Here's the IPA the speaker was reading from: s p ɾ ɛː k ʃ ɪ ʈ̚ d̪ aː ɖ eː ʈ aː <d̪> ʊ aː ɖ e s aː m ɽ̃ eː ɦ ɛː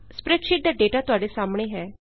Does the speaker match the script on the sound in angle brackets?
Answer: no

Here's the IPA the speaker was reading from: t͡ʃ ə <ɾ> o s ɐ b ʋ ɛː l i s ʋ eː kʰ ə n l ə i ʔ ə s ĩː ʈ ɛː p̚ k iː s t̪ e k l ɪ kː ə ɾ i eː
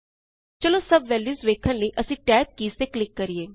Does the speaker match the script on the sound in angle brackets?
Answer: no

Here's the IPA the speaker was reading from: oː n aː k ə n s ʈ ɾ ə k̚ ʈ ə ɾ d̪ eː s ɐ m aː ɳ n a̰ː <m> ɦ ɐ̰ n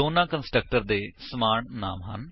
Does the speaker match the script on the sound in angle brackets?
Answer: yes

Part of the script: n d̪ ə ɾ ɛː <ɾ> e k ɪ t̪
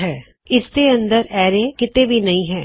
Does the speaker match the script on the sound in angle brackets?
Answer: yes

